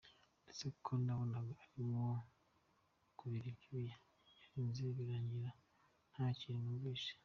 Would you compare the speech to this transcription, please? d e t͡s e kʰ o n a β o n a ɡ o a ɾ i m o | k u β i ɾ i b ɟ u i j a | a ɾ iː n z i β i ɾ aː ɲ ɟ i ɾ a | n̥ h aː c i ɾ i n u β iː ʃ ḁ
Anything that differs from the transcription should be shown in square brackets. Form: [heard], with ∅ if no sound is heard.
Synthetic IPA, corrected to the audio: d e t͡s e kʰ o n a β o n a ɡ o a ɾ i m o | k u β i ɾ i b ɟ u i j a | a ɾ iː n z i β i ɾ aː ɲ ɟ i ɾ a | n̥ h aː c i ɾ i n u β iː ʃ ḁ